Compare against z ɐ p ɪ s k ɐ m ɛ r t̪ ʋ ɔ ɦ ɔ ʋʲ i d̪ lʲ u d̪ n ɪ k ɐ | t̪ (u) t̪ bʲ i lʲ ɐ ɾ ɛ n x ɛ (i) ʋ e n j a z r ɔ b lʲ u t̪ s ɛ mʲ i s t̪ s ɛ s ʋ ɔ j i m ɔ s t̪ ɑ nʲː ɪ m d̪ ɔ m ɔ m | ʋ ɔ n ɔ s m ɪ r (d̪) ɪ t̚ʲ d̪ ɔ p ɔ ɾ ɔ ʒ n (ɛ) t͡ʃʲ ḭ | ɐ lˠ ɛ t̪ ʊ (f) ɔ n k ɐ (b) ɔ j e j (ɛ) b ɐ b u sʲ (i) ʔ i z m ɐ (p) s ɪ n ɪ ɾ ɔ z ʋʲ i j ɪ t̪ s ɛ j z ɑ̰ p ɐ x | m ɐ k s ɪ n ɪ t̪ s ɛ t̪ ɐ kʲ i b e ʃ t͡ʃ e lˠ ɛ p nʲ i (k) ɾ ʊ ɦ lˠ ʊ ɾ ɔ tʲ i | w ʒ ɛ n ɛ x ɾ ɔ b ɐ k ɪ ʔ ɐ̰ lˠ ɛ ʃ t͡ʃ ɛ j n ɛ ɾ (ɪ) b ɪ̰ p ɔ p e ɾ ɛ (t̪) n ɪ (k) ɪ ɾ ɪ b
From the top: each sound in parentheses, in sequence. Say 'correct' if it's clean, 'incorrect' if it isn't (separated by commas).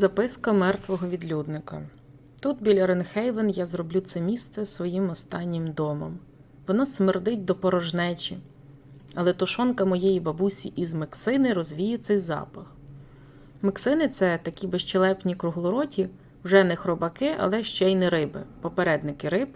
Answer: correct, incorrect, correct, correct, incorrect, incorrect, incorrect, correct, incorrect, correct, correct, incorrect, correct